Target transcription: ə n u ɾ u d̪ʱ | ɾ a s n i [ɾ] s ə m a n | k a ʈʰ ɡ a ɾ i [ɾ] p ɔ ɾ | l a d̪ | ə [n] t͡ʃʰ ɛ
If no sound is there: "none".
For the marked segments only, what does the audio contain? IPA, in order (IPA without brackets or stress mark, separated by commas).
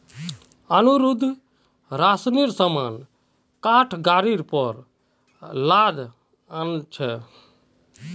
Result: ɾ, ɾ, n